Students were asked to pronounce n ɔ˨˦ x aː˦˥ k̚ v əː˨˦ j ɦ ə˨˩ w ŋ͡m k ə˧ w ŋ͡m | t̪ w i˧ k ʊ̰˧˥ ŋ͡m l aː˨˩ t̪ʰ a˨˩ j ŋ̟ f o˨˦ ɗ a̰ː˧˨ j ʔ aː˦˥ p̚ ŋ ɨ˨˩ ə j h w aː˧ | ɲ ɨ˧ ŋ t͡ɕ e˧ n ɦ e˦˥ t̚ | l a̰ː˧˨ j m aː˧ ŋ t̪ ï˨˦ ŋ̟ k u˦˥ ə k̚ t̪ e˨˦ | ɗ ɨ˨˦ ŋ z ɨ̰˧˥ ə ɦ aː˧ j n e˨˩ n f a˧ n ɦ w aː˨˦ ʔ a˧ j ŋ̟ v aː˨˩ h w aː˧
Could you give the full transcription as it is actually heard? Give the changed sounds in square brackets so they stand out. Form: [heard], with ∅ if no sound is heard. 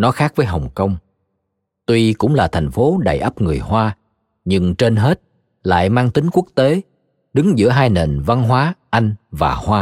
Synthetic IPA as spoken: n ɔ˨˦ x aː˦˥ k̚ v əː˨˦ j ɦ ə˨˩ w ŋ͡m k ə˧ w ŋ͡m | t̪ w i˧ k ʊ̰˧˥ ŋ͡m l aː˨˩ t̪ʰ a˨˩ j ŋ̟ f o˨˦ ɗ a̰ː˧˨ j ʔ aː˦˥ p̚ ŋ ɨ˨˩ ə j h w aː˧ | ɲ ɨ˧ ŋ t͡ɕ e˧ n ɦ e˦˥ t̚ | l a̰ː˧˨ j m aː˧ ŋ t̪ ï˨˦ ŋ̟ k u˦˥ ə k̚ t̪ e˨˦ | ɗ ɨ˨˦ ŋ z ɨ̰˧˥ ə ɦ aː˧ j n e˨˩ n [v] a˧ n ɦ w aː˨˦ ʔ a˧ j ŋ̟ v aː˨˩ h w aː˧